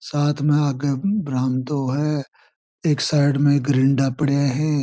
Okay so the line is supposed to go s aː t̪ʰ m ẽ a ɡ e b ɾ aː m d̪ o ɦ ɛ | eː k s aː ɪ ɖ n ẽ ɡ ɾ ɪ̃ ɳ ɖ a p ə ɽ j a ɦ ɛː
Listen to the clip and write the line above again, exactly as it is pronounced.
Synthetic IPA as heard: s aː t̪ʰ m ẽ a ɡ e b ɾ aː m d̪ o ɦ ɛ | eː k s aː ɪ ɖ m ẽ ɡ ɾ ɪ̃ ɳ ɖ a p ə ɽ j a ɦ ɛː